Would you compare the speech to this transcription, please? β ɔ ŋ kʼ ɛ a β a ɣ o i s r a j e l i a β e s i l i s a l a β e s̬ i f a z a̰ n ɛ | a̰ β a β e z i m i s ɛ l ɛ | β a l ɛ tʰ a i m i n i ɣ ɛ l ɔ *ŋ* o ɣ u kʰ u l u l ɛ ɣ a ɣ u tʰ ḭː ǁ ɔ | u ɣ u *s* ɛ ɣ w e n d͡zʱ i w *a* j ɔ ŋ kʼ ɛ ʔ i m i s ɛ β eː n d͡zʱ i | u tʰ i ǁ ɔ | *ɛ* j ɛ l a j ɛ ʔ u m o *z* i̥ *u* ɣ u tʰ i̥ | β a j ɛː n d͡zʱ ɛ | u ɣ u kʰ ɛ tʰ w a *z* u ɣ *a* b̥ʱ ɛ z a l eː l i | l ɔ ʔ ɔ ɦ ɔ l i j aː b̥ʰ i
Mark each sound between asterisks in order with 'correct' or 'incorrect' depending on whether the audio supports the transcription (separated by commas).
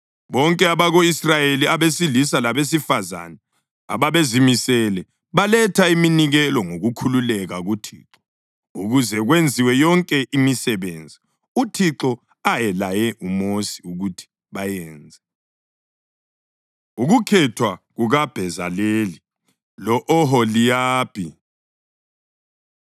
correct, incorrect, incorrect, incorrect, incorrect, correct, incorrect, correct